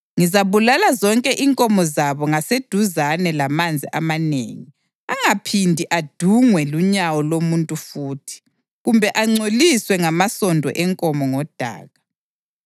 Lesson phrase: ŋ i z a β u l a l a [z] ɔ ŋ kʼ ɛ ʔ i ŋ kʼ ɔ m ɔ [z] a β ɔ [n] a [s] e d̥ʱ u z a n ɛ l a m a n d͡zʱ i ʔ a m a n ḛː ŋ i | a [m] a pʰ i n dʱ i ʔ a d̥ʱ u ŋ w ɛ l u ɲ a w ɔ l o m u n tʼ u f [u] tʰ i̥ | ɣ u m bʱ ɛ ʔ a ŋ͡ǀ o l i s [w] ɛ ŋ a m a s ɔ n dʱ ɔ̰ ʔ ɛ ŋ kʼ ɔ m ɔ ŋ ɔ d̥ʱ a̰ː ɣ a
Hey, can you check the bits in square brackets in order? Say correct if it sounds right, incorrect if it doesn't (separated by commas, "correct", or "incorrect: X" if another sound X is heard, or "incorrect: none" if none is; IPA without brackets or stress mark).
correct, correct, incorrect: ŋ, correct, incorrect: ŋ, incorrect: uː, correct